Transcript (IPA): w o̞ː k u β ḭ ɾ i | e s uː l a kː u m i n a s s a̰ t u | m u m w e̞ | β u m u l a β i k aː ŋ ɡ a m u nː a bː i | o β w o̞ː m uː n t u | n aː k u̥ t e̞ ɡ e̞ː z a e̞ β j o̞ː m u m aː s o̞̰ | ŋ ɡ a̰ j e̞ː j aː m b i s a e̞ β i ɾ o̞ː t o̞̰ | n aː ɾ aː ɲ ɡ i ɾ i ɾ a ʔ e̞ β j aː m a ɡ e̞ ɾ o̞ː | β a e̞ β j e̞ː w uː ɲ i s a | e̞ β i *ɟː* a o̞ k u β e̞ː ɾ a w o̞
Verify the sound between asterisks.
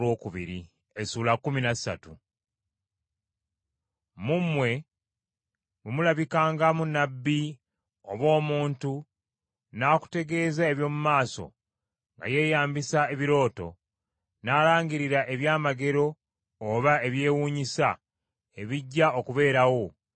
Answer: correct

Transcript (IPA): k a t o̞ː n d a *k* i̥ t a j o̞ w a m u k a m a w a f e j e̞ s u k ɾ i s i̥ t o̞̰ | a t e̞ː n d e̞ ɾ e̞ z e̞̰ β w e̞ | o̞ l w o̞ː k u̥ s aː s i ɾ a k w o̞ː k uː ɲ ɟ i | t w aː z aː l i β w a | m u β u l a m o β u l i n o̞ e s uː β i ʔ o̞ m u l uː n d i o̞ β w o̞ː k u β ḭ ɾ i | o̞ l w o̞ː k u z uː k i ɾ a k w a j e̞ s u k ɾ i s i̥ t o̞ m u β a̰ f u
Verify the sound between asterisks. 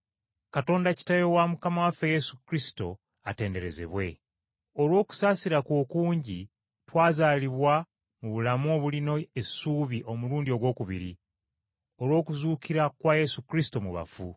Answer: incorrect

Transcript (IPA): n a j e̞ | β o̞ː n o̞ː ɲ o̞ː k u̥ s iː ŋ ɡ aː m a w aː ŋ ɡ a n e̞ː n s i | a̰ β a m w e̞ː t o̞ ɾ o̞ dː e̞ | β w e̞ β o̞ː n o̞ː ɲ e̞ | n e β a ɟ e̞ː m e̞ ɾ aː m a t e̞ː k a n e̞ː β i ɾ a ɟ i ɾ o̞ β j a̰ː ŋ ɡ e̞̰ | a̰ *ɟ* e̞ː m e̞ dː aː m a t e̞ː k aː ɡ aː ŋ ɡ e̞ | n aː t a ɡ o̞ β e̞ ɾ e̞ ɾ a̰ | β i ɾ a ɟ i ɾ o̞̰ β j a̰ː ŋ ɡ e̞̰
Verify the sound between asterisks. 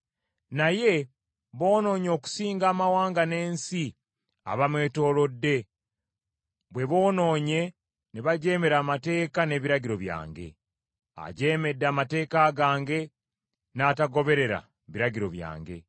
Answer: correct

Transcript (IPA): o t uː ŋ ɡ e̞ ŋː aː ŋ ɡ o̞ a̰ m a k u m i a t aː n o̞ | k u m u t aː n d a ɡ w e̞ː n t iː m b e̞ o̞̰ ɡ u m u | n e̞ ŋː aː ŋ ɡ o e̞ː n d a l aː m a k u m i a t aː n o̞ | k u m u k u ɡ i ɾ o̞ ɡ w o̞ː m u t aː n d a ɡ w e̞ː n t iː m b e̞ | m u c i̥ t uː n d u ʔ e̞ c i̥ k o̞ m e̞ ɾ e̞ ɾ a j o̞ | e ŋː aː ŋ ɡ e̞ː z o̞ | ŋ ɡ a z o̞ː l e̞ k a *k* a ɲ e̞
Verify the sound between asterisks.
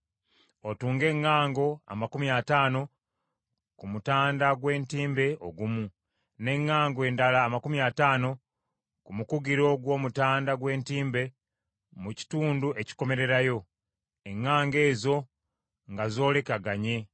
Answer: incorrect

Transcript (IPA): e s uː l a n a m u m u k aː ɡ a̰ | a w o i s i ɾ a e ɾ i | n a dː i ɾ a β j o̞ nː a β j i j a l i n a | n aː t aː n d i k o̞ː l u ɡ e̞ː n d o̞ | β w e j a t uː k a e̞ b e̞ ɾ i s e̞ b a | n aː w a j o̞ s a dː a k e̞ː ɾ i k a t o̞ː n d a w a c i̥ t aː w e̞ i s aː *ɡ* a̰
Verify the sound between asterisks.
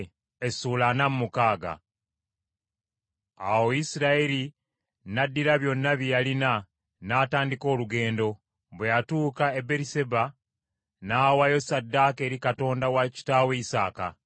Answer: incorrect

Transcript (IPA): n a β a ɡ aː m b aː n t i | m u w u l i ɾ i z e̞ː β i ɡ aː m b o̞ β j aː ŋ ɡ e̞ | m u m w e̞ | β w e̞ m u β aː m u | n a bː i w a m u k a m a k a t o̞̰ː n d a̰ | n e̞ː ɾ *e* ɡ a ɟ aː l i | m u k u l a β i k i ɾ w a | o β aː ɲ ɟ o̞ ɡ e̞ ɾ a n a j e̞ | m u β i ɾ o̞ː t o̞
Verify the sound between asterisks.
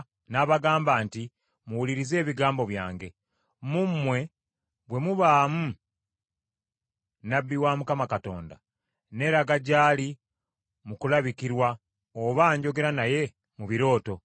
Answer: incorrect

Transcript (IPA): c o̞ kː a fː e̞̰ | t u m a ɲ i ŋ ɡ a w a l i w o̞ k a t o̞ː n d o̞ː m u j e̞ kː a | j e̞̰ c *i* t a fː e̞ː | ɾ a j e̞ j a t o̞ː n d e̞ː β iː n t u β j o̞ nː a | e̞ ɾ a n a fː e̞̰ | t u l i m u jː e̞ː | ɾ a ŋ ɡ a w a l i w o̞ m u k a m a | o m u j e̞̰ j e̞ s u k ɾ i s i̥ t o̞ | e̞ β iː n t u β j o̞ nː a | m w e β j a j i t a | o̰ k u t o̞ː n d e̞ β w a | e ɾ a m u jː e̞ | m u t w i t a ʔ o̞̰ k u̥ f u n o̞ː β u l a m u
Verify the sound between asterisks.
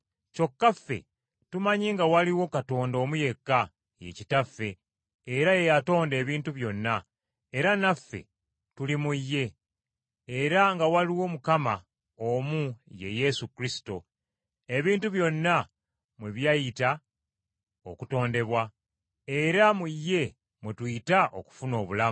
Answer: correct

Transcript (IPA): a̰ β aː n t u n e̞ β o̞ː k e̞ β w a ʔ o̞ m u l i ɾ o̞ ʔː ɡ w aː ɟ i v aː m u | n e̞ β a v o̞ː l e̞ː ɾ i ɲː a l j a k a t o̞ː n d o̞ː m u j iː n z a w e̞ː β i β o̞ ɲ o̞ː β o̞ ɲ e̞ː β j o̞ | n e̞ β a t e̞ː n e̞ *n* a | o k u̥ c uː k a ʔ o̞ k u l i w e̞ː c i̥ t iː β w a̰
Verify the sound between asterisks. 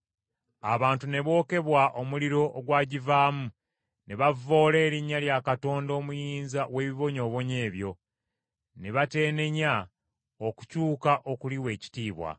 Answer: incorrect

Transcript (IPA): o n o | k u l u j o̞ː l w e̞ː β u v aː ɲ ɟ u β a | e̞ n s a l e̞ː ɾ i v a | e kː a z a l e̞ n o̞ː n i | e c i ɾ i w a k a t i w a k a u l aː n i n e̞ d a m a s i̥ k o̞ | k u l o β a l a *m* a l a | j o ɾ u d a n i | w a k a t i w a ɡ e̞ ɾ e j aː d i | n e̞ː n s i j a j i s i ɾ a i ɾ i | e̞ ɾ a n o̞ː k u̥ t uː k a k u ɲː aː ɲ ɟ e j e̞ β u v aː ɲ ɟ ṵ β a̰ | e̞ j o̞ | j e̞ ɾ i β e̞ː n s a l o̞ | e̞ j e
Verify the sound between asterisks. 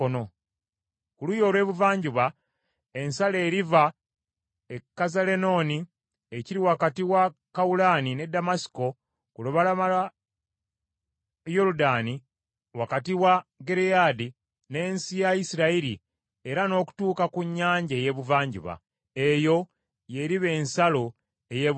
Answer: correct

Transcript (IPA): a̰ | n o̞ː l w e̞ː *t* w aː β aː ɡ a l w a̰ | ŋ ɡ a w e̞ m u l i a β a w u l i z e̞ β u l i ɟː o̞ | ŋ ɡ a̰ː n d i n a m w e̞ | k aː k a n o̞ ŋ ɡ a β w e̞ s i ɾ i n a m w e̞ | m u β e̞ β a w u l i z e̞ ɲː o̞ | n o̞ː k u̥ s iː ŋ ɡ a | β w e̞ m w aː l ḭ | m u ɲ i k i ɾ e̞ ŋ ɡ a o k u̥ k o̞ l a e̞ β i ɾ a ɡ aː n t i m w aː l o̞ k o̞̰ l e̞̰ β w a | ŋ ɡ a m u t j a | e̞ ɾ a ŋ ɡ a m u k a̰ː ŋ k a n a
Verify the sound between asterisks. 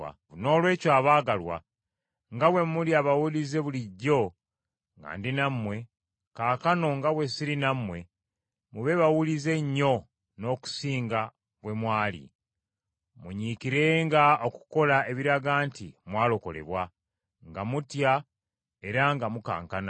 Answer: incorrect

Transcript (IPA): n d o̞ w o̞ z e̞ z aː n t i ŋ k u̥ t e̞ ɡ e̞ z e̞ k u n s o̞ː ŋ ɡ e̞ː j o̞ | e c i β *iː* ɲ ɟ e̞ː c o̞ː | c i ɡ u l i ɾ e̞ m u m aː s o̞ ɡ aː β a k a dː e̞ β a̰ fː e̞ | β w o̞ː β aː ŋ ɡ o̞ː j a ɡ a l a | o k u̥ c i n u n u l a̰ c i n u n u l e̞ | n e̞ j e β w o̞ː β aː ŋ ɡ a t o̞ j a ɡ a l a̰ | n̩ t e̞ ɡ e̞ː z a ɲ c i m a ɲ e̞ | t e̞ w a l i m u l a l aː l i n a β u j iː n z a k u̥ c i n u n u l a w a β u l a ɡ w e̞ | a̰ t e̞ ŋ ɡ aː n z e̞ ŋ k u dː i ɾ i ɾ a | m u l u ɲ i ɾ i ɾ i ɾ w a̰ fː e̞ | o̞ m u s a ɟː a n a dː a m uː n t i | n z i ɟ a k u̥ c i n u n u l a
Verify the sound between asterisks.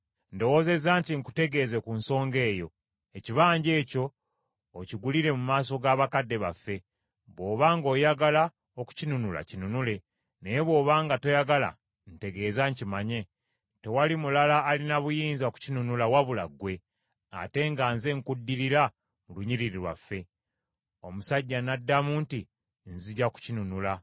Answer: incorrect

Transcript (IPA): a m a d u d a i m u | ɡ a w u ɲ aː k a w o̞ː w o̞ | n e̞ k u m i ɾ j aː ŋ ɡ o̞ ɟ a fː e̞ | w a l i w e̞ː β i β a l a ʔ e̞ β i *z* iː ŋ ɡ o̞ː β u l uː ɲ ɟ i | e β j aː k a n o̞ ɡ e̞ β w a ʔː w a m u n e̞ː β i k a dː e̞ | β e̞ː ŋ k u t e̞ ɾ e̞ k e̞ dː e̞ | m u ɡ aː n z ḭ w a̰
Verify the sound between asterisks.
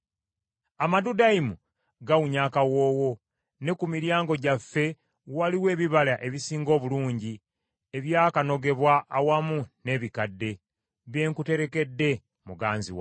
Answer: incorrect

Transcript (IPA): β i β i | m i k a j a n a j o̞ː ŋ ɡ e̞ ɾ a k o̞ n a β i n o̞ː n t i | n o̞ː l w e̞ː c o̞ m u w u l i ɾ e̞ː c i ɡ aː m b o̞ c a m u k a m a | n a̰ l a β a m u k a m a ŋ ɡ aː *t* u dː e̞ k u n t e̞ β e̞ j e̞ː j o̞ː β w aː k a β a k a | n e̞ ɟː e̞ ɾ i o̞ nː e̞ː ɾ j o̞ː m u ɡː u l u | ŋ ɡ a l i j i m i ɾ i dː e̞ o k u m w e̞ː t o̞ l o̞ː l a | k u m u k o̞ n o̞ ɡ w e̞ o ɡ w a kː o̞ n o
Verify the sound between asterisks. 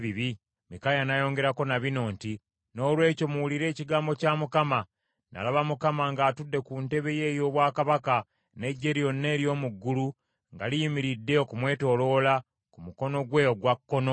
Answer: correct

